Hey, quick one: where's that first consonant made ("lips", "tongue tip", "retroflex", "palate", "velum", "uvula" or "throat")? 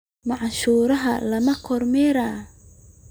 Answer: lips